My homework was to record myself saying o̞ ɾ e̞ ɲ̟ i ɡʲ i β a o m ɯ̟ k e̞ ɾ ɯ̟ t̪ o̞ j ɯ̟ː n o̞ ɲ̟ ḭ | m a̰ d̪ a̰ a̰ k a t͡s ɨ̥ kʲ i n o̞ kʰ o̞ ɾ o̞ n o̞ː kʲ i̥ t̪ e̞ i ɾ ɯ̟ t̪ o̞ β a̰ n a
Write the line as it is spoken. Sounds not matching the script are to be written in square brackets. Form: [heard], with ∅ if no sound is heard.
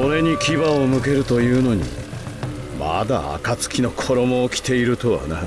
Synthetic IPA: o̞ ɾ e̞ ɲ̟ i [kʲ] i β a o m ɯ̟ k e̞ ɾ ɯ̟ t̪ o̞ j ɯ̟ː n o̞ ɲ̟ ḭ | m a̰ d̪ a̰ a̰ k a t͡s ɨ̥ kʲ i n o̞ kʰ o̞ ɾ o̞ [m] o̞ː kʲ i̥ t̪ e̞ i ɾ ɯ̟ t̪ o̞ β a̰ n a